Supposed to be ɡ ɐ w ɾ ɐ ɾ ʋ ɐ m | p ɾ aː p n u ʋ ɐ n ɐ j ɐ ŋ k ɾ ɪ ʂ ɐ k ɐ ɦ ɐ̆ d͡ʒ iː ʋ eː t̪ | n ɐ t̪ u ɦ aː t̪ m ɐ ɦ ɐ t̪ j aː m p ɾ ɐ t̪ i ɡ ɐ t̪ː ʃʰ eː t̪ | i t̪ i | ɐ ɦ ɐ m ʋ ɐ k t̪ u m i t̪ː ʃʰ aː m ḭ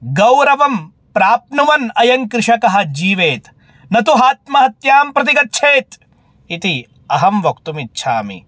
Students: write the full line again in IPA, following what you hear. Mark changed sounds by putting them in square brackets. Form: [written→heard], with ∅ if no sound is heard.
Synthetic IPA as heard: ɡ ɐ w ɾ ɐ [ɾ→∅] ʋ ɐ m | p ɾ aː p n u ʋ ɐ n ɐ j ɐ ŋ k ɾ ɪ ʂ ɐ k ɐ ɦ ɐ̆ d͡ʒ iː ʋ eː t̪ | n ɐ t̪ u ɦ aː t̪ m ɐ ɦ ɐ t̪ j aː m p ɾ ɐ t̪ i ɡ ɐ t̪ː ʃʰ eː t̪ | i t̪ i | ɐ ɦ ɐ m ʋ ɐ k t̪ u m i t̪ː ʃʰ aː m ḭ